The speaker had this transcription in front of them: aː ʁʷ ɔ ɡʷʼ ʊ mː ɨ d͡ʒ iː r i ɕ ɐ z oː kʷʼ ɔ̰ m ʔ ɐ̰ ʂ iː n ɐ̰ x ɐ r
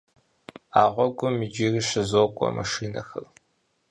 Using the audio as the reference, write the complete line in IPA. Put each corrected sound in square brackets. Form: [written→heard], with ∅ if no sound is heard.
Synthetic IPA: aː ʁʷ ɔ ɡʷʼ ʊ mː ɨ d͡ʒ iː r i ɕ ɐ z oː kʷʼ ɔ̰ m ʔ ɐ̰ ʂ iː n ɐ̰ x ɐ r